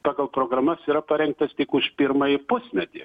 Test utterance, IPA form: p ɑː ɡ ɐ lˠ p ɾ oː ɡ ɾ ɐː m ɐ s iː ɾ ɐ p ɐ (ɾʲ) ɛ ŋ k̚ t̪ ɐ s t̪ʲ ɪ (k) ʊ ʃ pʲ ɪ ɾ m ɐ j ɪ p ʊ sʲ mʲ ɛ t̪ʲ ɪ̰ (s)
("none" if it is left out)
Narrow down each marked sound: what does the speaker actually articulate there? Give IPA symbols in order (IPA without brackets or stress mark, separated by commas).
ɾʲ, k, none